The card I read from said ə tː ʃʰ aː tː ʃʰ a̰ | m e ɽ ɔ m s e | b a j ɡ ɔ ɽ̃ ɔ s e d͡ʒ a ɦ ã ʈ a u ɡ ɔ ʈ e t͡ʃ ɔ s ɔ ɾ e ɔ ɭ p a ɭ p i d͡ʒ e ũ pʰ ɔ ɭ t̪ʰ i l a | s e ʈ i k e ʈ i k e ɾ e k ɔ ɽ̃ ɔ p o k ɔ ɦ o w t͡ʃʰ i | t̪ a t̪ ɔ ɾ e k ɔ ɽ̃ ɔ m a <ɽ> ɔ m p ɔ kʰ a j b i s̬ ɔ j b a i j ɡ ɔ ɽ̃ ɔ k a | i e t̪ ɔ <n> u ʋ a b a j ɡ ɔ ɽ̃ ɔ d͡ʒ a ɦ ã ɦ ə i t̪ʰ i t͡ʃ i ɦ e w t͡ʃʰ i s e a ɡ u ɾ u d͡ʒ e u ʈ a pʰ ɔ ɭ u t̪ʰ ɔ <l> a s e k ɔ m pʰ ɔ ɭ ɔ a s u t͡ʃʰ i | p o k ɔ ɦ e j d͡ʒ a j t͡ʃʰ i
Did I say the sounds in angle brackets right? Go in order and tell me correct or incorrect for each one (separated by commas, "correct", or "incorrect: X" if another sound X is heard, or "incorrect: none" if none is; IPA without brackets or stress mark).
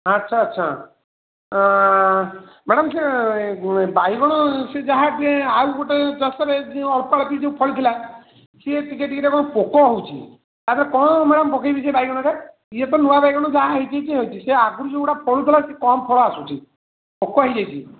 correct, correct, correct